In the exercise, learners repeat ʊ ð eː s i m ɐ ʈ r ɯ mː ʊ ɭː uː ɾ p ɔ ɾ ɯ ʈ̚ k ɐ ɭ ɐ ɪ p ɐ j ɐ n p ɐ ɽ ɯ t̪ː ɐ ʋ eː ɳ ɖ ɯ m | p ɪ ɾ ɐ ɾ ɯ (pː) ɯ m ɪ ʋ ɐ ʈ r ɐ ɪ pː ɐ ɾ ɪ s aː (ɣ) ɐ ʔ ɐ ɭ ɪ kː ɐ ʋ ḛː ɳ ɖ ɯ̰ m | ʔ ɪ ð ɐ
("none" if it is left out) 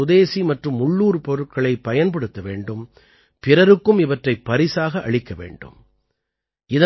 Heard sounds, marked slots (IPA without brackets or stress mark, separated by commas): kː, ɣ